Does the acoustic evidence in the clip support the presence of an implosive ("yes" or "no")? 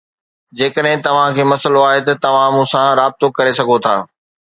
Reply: yes